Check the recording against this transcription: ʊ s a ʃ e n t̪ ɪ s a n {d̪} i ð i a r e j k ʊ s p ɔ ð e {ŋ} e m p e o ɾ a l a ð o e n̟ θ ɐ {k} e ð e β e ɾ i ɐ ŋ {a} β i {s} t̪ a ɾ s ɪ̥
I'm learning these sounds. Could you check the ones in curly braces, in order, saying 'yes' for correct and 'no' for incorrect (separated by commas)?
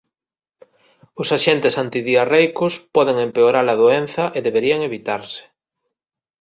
no, yes, no, no, no